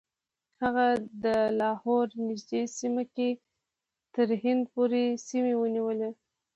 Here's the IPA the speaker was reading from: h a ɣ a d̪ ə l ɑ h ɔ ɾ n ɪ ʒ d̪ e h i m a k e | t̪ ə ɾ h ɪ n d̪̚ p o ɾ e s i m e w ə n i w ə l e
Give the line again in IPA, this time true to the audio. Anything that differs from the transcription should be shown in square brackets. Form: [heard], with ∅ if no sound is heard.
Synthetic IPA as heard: h a ɣ a d̪ ə l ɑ h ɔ ɾ n ɪ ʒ d̪ e [s] i m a k e | t̪ ə ɾ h ɪ n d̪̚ p o ɾ e s i m e w ə n i w ə l e

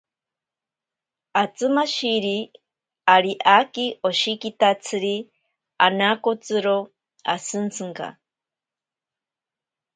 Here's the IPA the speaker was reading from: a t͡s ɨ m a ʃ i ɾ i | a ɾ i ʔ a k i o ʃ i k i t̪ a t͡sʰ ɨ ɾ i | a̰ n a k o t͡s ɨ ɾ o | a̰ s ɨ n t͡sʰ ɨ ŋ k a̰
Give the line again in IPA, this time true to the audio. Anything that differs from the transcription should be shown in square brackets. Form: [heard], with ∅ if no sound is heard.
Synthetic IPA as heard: a t͡s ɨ m a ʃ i ɾ i | a ɾ i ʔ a k i o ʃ i k i t̪ a t͡sʰ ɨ ɾ i | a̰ n a k o t͡s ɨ ɾ o | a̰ s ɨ n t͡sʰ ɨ ŋ k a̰

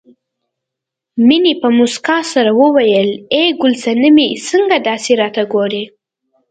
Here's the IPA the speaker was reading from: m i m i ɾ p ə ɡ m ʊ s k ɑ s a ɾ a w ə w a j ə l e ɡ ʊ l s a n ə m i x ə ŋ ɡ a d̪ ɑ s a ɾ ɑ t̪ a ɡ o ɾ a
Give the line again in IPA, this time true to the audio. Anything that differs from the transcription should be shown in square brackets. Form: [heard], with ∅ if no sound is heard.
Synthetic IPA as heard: m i [n] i [∅] p ə [∅] m ʊ s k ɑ s a ɾ a w ə w a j ə l e ɡ ʊ l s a n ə m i [s] ə ŋ ɡ a d̪ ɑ s [e] ɾ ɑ t̪ a ɡ o ɾ [e]

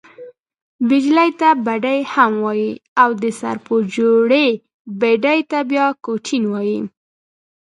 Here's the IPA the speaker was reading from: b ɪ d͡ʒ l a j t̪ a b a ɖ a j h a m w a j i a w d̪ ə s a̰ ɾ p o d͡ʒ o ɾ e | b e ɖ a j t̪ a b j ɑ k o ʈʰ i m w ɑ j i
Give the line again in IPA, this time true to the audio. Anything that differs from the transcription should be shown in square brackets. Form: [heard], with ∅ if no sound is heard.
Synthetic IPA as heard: b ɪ d͡ʒ l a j t̪ a b a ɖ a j h a m w [ɑ] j i a w d̪ ə s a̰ ɾ p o d͡ʒ o [ɽ] e | b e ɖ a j t̪ a b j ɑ k o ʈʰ i [n] w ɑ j i

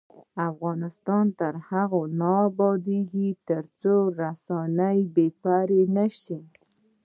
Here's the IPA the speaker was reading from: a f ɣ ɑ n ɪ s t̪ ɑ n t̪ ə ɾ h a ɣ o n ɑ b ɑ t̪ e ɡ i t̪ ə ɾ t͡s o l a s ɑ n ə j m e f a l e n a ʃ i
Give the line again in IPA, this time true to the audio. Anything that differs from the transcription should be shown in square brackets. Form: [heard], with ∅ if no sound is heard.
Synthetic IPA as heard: a f ɣ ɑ n ɪ s t̪ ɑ n t̪ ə ɾ h a ɣ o n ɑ b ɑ [d̪] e ɡ i t̪ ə ɾ t͡s o [ɾ] a s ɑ n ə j [b] e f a [ɾ] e n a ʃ i

